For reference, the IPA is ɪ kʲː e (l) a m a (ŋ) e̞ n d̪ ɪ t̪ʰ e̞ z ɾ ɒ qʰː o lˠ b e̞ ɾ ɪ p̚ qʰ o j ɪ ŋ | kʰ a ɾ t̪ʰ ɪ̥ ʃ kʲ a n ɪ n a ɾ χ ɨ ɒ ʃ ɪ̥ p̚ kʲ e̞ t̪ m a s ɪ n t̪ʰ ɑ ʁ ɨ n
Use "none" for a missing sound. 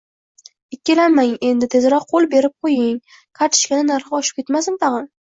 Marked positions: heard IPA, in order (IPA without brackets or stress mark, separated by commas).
l, ŋ